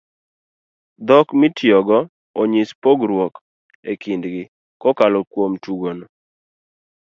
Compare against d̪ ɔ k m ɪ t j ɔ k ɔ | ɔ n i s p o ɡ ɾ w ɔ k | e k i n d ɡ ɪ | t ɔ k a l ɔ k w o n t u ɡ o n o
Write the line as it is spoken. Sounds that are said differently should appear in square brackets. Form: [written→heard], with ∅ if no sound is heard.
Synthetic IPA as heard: d̪ ɔ k m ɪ t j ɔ [k→ɡ] ɔ | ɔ [n→ɲ] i s p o ɡ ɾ w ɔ k | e k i n d ɡ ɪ | [t→k] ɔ k a l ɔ k w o [n→m] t u ɡ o n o

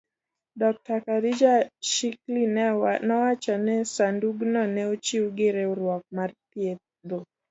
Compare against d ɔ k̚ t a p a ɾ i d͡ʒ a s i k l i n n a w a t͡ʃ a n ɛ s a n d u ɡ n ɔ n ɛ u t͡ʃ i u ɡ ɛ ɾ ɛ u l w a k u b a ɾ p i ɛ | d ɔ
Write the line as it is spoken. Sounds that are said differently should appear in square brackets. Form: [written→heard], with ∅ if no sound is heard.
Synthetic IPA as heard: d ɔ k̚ t a [p→k] a ɾ i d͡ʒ a [s→ʃ] i k l i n n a w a t͡ʃ a n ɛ s a n d u ɡ n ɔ n ɛ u t͡ʃ i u ɡ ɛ ɾ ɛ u [l→ɾ] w a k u [b→m] a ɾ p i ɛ | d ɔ

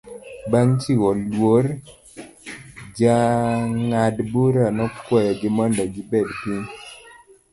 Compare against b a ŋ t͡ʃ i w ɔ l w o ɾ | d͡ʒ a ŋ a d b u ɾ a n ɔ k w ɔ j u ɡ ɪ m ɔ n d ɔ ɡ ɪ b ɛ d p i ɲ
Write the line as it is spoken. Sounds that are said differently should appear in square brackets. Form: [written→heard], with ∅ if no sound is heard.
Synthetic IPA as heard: b a ŋ t͡ʃ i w ɔ l w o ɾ | d͡ʒ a ŋ a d b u ɾ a n ɔ k w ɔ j [u→ɔ] ɡ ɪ m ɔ n d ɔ ɡ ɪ b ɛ d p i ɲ

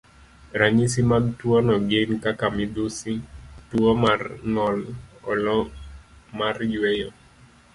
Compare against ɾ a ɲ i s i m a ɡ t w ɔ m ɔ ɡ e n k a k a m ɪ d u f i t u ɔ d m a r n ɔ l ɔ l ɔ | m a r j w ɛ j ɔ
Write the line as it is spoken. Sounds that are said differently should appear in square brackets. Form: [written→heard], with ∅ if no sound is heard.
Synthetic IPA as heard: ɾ a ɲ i s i m a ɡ t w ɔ [m→n] ɔ ɡ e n k a k a m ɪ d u [f→s] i t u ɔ [d→∅] m a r n ɔ l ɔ l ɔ | m a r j w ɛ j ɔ

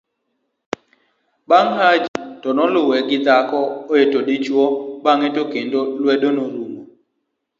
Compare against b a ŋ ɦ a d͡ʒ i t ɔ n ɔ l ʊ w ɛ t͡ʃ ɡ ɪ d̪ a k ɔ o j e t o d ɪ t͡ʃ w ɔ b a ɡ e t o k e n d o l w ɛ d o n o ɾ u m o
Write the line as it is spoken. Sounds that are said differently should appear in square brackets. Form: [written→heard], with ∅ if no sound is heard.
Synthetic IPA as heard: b a ŋ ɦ a d͡ʒ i t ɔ n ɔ l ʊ w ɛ [t͡ʃ→∅] ɡ ɪ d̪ a k ɔ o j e t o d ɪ t͡ʃ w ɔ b a [ɡ→ŋ] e t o k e n d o l w ɛ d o n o ɾ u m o

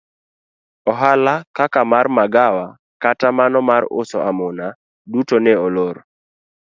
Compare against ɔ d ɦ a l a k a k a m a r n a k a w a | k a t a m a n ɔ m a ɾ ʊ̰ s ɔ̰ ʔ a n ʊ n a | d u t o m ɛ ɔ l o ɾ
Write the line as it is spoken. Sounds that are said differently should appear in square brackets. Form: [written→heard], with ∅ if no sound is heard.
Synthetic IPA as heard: ɔ [d→∅] ɦ a l a k a k a m a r [n→m] a [k→ɡ] a w a | k a t a m a n ɔ m a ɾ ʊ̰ s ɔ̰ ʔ a [n→m] ʊ n a | d u t o [m→n] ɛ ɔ l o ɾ

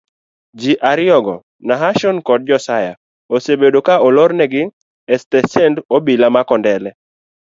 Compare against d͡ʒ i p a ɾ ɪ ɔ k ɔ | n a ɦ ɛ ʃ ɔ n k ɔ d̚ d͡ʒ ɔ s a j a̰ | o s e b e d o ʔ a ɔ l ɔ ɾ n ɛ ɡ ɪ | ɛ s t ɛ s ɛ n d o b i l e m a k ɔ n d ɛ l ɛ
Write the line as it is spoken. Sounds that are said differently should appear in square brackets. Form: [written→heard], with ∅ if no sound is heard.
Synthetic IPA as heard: d͡ʒ i [p→ʔ] a ɾ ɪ ɔ [k→ɡ] ɔ | n a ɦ [ɛ→a] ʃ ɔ n k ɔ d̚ d͡ʒ ɔ s a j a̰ | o s e b e d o [ʔ→k] a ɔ l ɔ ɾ n ɛ ɡ ɪ | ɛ s t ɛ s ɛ n d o b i l [e→a] m a k ɔ n d ɛ l ɛ

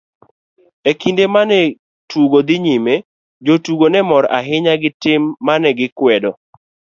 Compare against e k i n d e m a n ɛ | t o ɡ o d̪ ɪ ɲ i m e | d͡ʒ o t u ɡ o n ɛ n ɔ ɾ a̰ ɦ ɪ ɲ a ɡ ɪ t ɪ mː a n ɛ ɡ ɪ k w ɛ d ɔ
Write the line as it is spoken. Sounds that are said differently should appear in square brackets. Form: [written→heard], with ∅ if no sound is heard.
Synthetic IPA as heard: e k i n d e m a n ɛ | t [o→u] ɡ o d̪ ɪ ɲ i m e | d͡ʒ o t u ɡ o n ɛ [n→m] ɔ ɾ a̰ ɦ ɪ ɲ a ɡ ɪ t ɪ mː a n ɛ ɡ ɪ k w ɛ d ɔ

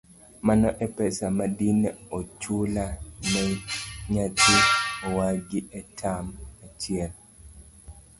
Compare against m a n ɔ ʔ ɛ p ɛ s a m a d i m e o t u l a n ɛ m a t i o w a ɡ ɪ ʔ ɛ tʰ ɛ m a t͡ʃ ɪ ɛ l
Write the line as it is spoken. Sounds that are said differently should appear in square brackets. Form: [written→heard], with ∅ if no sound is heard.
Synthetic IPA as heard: m a n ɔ ʔ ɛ p ɛ s a m a d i [m→n] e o [t→t͡ʃ] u l a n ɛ [m→ɲ] a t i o w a ɡ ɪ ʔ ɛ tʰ [ɛ→a] m a t͡ʃ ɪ ɛ l

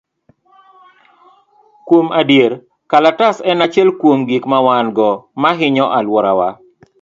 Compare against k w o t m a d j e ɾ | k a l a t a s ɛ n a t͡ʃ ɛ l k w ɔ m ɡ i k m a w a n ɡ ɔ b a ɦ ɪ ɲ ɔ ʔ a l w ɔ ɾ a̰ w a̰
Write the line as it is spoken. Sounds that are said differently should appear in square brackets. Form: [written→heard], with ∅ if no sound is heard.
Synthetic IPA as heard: k w o [t→∅] m a d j e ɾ | k a l a t a s ɛ n a t͡ʃ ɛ l k w [ɔ→o] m ɡ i k m a w a n ɡ ɔ [b→m] a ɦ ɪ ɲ ɔ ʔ a l w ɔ ɾ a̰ w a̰

